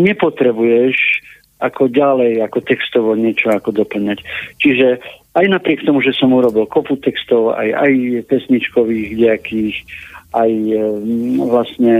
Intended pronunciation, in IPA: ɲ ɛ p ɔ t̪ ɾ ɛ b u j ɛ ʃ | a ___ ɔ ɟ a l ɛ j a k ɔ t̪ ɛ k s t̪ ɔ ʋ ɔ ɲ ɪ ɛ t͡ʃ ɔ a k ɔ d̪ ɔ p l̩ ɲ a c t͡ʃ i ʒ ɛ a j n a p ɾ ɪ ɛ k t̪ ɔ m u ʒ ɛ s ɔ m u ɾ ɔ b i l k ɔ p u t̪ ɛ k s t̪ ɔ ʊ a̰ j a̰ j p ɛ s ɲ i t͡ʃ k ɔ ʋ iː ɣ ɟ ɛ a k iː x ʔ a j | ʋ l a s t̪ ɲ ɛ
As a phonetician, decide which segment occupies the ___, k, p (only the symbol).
k